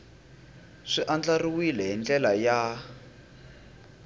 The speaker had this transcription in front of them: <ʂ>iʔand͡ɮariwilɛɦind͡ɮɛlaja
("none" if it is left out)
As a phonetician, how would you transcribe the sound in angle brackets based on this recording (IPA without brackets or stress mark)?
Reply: ʂ